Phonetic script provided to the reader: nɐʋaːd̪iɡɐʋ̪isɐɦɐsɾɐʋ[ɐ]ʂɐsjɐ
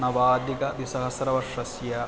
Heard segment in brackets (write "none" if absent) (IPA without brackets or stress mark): ɐ